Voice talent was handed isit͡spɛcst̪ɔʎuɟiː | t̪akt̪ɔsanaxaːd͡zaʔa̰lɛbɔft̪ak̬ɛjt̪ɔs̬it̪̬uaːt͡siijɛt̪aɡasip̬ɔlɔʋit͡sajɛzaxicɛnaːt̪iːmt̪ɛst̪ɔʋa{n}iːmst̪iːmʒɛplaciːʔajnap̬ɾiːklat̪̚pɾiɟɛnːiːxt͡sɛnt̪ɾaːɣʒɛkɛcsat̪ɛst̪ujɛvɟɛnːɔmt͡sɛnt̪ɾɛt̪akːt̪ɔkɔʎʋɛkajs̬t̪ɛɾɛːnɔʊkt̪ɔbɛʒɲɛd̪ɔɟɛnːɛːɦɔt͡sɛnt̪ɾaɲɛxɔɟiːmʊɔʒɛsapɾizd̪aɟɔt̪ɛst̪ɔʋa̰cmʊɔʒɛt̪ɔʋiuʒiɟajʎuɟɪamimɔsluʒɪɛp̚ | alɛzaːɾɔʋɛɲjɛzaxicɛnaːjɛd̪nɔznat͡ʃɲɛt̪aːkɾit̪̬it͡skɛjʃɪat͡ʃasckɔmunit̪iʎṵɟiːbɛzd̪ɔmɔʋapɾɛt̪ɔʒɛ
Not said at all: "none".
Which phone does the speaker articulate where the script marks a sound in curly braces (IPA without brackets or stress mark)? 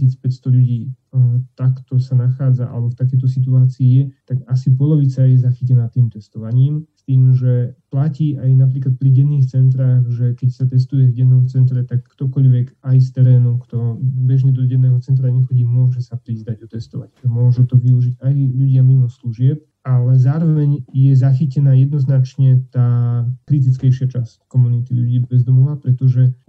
ɲ